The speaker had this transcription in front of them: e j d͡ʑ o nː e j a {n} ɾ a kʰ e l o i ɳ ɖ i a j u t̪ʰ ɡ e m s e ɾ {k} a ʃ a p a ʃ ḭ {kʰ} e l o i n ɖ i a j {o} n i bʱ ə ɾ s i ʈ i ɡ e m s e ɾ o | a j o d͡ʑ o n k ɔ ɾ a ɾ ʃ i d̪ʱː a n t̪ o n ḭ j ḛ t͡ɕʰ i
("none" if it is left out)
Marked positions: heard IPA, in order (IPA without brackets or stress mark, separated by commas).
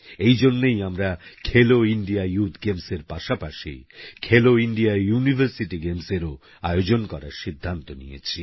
m, p, kʰ, u